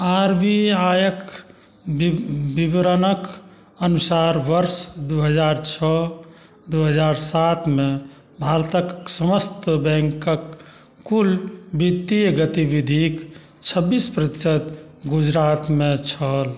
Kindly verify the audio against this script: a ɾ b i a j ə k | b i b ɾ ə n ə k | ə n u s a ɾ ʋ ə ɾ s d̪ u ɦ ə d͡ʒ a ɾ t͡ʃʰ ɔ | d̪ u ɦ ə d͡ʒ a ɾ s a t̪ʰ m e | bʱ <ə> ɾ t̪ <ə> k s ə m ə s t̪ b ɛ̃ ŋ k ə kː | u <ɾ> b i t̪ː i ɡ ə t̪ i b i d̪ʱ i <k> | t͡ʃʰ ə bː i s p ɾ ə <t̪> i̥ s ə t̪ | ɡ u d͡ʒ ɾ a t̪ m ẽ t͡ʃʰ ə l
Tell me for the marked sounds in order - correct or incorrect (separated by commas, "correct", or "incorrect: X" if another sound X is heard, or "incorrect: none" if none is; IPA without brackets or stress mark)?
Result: incorrect: a, correct, incorrect: l, correct, correct